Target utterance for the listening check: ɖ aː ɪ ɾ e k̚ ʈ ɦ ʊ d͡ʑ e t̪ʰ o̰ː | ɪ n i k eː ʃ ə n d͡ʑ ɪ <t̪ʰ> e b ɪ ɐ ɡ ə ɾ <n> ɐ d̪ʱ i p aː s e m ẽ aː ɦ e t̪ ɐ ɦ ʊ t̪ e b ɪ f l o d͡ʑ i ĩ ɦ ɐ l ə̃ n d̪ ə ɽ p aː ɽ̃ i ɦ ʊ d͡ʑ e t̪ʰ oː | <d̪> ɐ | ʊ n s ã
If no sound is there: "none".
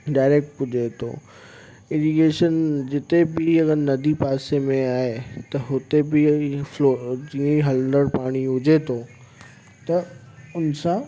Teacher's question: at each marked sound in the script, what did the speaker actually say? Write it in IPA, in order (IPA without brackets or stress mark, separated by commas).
t̪, n, t̪